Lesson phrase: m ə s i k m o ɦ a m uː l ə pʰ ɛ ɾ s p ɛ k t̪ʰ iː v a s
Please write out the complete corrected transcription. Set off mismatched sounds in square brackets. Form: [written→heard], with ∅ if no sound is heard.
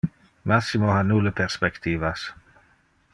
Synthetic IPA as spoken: m [ə→a] s i [k→∅] m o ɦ a [m→n] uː l ə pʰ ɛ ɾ s p ɛ k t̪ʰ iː v a s